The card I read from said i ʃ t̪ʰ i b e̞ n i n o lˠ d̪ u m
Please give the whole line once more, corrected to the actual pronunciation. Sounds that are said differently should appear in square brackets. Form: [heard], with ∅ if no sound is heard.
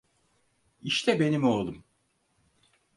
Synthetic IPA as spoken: i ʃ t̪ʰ [ɛ] b e̞ n i [m] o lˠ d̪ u m